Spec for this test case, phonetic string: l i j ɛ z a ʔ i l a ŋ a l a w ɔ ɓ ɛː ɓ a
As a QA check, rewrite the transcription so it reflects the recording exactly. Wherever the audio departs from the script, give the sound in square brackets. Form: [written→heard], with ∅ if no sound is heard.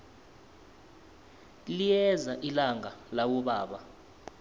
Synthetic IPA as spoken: l i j ɛ z a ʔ i l a ŋ a l a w ɔ ɓ [ɛː→aː] ɓ a